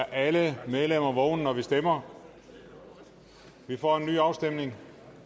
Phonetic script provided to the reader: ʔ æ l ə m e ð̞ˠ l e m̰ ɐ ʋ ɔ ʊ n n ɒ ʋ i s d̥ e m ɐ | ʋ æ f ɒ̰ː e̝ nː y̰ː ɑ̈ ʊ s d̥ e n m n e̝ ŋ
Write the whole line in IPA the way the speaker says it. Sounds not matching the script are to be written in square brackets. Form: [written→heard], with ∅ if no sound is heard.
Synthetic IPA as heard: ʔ æ l ə m e ð̞ˠ l e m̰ ɐ ʋ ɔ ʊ n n ɒ ʋ i s d̥ e m ɐ | ʋ [æ→i] f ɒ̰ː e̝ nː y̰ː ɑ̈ ʊ s d̥ e [n→∅] m n e̝ ŋ